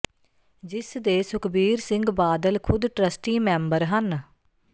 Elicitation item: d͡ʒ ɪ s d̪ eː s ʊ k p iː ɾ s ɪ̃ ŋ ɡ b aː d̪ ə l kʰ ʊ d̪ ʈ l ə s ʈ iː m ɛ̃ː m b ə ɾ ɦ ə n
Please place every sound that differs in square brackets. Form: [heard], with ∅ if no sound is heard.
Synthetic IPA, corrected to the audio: d͡ʒ ɪ s d̪ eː s ʊ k [b] iː ɾ s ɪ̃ ŋ ɡ b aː d̪ ə l kʰ ʊ d̪ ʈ [ɾ] ə s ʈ iː m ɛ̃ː m b ə ɾ ɦ ə n